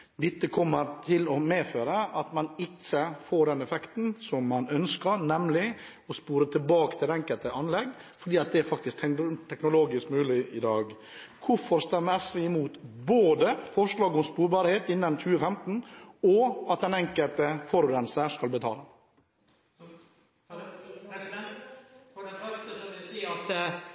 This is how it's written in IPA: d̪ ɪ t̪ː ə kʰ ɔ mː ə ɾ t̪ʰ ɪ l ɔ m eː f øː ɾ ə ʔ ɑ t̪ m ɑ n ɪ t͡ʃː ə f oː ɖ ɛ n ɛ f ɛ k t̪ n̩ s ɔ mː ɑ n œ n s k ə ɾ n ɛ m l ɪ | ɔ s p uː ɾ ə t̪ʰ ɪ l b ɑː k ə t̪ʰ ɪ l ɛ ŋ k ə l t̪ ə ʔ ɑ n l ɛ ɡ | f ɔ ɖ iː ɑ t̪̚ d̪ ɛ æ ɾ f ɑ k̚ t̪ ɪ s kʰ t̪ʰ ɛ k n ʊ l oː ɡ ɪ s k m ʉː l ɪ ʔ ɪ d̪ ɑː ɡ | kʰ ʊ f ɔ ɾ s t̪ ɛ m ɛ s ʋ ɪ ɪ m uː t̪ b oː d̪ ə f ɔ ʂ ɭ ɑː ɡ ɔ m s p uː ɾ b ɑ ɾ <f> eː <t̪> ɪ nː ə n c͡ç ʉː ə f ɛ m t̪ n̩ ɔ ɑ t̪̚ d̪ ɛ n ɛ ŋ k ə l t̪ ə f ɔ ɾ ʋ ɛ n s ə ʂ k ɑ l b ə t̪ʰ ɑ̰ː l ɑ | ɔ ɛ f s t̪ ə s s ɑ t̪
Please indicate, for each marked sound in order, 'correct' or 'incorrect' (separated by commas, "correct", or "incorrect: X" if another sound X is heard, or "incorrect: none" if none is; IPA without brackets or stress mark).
incorrect: h, correct